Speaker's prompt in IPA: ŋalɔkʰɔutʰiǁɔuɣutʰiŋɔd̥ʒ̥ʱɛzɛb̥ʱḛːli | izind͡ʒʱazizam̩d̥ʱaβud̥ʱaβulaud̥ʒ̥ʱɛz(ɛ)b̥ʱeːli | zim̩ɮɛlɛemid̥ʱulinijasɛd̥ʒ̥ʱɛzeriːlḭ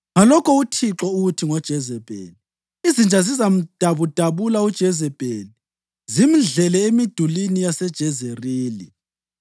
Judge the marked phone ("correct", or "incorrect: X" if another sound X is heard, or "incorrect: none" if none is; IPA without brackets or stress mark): correct